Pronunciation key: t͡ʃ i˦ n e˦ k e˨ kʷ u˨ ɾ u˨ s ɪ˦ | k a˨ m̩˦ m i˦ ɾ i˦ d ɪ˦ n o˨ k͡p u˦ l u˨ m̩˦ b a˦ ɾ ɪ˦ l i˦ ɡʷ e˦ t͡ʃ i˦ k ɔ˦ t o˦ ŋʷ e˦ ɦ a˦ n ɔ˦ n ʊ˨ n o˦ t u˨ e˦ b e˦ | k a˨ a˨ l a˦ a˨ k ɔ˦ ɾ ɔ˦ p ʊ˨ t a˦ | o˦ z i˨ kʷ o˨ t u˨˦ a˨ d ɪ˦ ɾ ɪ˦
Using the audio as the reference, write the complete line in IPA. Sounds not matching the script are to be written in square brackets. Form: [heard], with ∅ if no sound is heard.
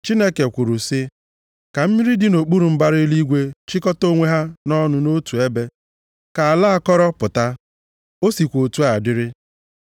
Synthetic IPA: t͡ʃ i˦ n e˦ k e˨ kʷ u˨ ɾ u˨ s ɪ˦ | k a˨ m̩˦ m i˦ ɾ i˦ d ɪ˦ n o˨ k͡p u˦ [ɾ] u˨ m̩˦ b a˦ ɾ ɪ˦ l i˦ ɡʷ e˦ t͡ʃ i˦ k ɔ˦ t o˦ ŋʷ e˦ ɦ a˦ n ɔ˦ n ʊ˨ n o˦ t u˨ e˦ b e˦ | k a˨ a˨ l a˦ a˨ k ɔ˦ ɾ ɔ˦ p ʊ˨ t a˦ | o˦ [s] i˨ kʷ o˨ t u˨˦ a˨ d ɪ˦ ɾ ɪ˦